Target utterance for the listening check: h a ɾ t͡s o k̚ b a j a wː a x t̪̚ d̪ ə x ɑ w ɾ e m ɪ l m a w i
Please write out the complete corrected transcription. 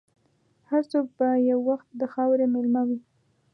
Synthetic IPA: h a ɾ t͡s o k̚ b a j a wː a x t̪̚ d̪ ə x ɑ w ɾ e m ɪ l m a w i

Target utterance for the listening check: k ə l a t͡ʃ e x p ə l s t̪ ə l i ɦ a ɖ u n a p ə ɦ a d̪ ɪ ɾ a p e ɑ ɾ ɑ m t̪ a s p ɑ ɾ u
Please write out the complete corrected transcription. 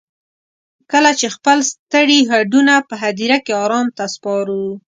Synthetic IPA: k ə l a t͡ʃ e x p ə l s t̪ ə ɽ i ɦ a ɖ u n a p ə ɦ a d̪ i ɾ a k e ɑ ɾ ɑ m t̪ a s p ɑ ɾ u

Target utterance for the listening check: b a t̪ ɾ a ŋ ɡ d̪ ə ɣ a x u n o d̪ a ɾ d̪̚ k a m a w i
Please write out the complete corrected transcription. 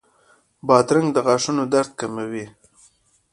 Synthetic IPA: b ɑ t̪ ɾ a ŋ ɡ d̪ ə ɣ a ʂ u n o d̪ a ɾ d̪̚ k a m a w i

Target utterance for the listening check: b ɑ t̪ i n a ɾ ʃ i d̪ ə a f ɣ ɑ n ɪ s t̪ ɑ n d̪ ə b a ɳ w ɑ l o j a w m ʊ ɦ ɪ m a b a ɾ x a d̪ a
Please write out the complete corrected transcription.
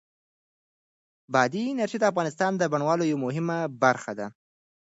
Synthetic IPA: b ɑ d̪ i n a ɾ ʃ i d̪ ə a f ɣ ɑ n ɪ s t̪ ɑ n d̪ ə b a ɳ w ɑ l o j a w m ʊ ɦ ɪ m a b a ɾ x a d̪ a

